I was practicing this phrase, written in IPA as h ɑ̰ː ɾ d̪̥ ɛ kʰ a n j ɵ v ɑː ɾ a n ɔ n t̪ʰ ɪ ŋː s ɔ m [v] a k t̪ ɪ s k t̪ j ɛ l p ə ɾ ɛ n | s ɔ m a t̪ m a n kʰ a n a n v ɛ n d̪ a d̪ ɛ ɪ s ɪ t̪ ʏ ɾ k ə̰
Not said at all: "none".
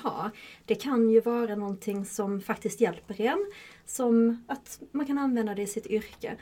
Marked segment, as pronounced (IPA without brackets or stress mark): f